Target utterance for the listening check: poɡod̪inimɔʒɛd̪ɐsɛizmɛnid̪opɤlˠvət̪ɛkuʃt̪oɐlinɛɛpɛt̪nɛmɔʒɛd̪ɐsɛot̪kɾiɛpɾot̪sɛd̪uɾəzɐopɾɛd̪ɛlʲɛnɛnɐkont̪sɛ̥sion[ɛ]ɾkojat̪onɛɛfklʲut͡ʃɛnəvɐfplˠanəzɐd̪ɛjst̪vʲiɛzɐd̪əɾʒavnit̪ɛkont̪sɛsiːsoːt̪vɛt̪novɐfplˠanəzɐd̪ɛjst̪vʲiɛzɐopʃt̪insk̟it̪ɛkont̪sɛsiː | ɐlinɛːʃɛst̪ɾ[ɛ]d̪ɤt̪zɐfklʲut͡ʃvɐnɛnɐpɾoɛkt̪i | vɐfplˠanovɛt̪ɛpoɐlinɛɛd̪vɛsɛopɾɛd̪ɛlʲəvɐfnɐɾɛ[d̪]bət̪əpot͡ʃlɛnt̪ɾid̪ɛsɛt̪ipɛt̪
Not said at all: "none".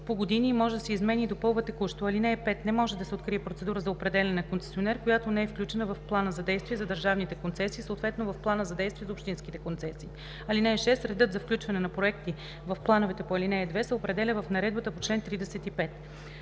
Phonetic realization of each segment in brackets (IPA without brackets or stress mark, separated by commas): ɛ, ɛ, d̪